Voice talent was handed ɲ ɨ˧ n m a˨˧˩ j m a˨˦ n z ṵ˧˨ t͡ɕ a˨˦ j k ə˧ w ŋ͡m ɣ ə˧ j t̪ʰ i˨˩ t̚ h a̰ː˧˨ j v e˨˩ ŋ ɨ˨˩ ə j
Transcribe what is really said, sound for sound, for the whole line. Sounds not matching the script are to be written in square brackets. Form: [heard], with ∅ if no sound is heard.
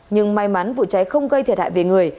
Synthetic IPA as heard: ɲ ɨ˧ [ŋ] m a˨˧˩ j m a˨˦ n [v] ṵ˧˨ t͡ɕ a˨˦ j [x] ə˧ w ŋ͡m ɣ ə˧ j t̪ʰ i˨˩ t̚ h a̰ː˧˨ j v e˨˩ ŋ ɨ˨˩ ə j